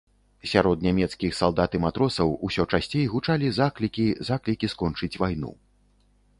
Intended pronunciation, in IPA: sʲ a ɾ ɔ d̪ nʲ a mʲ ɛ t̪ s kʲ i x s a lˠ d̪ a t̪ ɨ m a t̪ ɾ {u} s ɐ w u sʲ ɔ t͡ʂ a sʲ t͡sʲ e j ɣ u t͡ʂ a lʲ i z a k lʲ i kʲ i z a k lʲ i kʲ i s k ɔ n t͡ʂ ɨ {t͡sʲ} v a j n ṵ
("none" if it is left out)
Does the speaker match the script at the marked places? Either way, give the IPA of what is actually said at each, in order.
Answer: ɔ, t͡sʲ

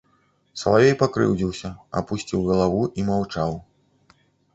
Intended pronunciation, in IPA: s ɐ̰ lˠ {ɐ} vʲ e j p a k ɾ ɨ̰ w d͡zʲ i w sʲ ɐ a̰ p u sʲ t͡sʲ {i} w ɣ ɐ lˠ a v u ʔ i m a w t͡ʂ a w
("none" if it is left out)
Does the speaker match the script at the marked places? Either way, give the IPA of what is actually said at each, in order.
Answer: a, i

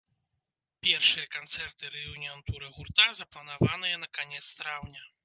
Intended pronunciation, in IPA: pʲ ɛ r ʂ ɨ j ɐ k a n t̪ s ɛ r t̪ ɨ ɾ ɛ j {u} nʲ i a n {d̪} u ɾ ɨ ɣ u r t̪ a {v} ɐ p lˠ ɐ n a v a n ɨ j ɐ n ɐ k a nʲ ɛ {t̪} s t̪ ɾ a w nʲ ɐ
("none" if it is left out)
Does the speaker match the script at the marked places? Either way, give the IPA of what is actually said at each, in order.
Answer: u, t̪, z, t̪

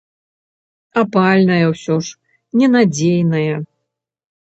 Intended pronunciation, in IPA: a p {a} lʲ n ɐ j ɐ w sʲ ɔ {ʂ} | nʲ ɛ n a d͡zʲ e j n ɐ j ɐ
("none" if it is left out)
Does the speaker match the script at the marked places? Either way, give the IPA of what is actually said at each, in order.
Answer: a, ʂ

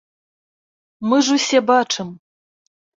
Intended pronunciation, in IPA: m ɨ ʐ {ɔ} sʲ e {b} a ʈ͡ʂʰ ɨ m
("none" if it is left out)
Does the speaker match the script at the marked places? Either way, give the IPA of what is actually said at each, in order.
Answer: u, b

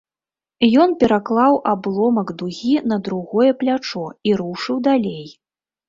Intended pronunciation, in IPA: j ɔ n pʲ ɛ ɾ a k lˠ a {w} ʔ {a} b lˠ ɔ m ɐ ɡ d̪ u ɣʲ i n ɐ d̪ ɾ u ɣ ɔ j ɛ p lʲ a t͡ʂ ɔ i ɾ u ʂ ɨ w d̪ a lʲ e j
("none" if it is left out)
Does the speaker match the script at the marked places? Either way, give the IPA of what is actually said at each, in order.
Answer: w, a

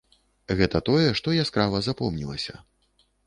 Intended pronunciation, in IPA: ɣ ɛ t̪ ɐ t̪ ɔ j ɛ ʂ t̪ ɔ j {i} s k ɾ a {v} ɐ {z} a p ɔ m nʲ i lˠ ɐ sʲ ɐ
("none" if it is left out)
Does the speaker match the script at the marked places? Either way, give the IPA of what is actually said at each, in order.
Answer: a, v, z

